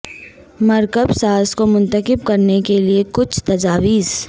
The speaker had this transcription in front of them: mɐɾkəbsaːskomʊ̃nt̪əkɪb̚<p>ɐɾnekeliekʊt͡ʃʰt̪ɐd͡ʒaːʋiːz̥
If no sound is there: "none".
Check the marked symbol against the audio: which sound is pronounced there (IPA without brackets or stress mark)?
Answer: k